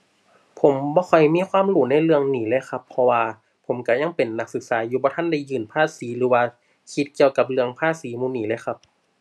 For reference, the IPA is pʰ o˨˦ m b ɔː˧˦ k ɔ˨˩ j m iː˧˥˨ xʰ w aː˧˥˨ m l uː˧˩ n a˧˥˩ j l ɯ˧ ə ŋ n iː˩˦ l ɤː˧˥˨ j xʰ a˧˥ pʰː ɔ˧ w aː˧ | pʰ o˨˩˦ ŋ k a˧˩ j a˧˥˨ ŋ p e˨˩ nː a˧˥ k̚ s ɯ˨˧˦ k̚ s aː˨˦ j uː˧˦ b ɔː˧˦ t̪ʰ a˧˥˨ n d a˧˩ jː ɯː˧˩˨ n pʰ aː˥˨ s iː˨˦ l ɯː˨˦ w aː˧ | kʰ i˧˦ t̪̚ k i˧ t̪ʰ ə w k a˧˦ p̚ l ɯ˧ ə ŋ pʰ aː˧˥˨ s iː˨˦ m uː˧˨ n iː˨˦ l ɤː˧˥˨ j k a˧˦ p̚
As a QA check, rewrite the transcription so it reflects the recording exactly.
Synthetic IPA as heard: pʰ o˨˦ m b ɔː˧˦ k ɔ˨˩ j m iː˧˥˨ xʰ w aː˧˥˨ m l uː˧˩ n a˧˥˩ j l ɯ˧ ə ŋ n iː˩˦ l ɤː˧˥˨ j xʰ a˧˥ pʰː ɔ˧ w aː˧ | pʰ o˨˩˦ m k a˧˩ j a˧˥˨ ŋ p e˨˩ nː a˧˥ k̚ s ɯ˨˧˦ k̚ s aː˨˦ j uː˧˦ b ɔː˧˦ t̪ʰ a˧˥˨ n d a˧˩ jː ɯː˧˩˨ n pʰ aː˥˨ s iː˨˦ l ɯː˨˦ w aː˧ | kʰ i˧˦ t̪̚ k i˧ ə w k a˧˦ p̚ l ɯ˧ ə ŋ pʰ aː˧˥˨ s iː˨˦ m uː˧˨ n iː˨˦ l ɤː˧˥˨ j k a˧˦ p̚

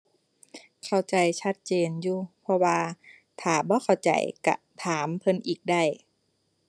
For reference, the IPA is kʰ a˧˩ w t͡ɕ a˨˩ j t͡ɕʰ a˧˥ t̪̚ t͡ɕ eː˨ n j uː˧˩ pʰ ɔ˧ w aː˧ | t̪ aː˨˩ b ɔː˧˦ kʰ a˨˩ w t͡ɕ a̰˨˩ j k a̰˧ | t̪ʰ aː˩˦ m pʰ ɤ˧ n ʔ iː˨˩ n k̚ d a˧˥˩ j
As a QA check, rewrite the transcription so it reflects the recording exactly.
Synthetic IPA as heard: kʰ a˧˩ w t͡ɕ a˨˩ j t͡ɕʰ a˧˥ t̪̚ t͡ɕ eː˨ n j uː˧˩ pʰ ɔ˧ w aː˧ | t̪ʰ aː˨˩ b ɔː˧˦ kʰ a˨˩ w t͡ɕ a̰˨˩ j k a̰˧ | t̪ʰ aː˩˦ m pʰ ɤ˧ n ʔ iː˨˩ k̚ d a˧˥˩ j

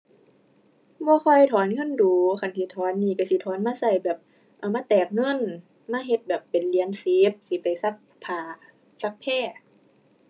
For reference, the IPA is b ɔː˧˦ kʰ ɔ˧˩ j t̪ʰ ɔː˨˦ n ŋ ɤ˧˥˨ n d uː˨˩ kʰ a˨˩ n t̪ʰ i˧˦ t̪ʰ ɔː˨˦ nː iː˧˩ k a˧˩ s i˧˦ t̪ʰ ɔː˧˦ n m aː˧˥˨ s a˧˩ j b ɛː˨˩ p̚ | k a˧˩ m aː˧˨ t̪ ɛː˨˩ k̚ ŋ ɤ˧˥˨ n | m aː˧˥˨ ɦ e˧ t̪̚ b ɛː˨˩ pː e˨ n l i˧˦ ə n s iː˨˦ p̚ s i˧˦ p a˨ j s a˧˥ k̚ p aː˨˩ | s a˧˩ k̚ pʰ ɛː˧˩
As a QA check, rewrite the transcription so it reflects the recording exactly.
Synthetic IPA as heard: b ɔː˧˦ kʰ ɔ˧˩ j t̪ʰ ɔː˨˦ n ŋ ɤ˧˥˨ n d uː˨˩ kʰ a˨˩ n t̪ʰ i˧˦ t̪ʰ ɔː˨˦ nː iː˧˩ k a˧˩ s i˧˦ t̪ʰ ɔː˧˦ n m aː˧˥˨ s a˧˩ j b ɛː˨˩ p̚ | ʔ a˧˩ m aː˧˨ t̪ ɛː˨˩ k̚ ŋ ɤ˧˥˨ n | m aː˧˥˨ ɦ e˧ t̪̚ b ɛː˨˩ pː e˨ n l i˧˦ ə n s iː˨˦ p̚ s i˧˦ p a˨ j s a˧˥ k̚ pʰ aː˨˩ | s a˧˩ k̚ pʰ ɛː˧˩

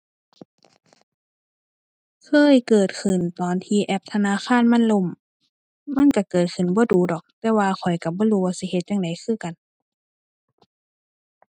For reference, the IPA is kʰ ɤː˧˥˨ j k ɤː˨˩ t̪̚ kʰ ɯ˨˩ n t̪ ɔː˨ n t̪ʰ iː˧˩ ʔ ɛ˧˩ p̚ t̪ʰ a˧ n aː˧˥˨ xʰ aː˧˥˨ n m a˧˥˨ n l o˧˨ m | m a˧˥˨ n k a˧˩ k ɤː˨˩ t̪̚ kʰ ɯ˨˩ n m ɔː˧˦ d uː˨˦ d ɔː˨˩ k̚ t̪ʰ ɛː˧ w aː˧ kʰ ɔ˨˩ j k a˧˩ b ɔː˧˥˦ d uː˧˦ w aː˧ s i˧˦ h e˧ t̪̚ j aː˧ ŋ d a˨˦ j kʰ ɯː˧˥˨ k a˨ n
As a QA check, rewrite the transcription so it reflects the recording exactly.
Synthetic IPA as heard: kʰ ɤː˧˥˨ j k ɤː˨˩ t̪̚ kʰ ɯ˨˩ n t̪ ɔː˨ n t̪ʰ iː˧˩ ʔ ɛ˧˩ p̚ t̪ʰ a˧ n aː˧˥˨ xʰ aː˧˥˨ n m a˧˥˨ n l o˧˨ m | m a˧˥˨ n k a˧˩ k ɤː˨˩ t̪̚ kʰ ɯ˨˩ n b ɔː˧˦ d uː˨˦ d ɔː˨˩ k̚ t̪ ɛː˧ w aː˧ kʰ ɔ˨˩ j k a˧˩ b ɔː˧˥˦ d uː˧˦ w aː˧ s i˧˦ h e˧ t̪̚ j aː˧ ŋ d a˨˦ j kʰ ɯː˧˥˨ k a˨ n

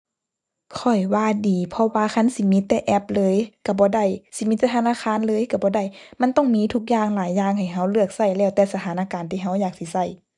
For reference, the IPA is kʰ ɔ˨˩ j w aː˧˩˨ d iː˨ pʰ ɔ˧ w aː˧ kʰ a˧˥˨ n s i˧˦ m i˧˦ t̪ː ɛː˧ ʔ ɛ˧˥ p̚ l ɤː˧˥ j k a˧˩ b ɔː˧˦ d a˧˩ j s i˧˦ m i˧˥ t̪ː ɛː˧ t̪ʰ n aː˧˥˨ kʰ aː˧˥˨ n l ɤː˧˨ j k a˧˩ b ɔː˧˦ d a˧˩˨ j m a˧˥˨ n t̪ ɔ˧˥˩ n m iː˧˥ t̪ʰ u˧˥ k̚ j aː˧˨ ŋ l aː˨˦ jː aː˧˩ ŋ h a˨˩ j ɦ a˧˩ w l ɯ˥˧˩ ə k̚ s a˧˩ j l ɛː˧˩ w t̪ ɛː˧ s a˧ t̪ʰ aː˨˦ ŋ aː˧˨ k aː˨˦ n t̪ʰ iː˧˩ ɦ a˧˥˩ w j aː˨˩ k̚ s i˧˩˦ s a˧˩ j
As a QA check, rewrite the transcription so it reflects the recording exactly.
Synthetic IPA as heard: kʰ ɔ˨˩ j w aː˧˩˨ d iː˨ pʰ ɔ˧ w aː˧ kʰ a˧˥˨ n s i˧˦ m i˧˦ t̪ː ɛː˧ ʔ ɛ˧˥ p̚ l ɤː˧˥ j k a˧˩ b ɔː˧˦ d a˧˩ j s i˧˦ m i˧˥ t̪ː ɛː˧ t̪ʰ n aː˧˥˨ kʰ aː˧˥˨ n l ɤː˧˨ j k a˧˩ b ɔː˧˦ d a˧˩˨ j m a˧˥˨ n t̪ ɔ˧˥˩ ŋ m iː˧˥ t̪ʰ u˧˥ k̚ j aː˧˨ ŋ l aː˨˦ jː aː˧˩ ŋ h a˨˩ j ɦ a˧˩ w l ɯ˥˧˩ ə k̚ s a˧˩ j l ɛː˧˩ w t̪ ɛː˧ s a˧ t̪ʰ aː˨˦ n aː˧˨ k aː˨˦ n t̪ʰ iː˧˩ ɦ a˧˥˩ w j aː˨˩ k̚ s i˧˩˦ s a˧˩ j

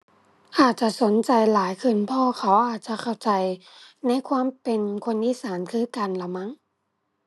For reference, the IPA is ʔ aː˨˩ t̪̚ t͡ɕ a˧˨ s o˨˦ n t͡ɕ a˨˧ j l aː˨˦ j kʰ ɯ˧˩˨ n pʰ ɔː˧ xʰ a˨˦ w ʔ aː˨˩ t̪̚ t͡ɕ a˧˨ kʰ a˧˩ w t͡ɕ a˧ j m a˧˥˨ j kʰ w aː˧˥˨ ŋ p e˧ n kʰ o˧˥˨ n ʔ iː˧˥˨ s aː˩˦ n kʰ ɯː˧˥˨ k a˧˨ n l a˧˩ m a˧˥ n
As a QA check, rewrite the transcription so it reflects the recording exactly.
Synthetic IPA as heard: ʔ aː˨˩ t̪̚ t͡ɕ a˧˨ s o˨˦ n t͡ɕ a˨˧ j l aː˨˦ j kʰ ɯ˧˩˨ n pʰ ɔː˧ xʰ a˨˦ w ʔ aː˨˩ t̪̚ t͡ɕ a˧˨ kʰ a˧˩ w t͡ɕ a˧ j n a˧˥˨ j kʰ w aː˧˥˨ m p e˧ n kʰ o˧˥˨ n ʔ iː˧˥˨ s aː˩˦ n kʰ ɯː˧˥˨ k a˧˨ n l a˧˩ m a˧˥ ŋ

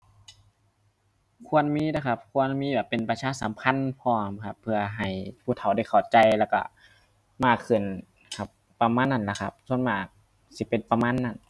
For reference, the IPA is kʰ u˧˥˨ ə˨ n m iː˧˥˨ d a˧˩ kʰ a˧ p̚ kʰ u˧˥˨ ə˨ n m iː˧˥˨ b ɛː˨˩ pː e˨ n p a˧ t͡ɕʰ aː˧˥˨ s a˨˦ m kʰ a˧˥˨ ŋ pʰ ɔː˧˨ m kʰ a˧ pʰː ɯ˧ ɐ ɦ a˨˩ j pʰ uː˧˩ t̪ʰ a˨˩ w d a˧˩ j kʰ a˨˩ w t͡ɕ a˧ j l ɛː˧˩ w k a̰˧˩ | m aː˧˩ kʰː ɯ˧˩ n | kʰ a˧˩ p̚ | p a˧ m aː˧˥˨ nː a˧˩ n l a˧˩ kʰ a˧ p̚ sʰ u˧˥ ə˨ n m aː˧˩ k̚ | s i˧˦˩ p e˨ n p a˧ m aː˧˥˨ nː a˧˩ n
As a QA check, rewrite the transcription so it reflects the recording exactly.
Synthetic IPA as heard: kʰ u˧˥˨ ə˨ n m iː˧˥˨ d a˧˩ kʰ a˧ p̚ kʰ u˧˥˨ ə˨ n m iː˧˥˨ b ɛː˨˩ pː e˨ n p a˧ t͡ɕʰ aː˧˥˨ s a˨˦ m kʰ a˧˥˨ n pʰ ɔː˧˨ m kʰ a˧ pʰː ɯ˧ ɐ ɦ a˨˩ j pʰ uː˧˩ t̪ʰ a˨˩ w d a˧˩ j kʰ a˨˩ w t͡ɕ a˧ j l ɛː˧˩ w k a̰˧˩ | m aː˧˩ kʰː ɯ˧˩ n | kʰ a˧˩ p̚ | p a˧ m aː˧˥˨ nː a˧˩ n l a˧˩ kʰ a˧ p̚ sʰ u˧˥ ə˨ n m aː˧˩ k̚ | s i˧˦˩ p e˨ n p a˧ m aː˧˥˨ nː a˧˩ n

